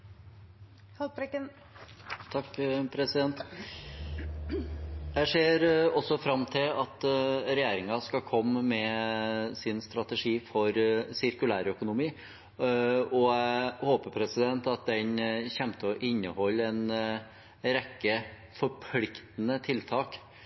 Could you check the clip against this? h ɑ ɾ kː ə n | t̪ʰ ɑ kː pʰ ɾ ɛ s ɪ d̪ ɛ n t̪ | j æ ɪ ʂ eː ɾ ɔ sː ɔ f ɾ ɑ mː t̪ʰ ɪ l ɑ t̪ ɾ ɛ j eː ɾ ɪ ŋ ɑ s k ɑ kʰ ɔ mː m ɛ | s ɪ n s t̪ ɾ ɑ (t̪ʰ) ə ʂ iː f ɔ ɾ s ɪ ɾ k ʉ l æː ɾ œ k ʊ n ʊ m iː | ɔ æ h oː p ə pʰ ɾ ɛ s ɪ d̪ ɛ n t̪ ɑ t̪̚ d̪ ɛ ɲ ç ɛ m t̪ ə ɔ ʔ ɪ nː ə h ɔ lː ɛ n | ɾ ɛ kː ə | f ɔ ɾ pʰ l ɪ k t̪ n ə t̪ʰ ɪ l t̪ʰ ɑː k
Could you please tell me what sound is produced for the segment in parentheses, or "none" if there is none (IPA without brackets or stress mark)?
t̪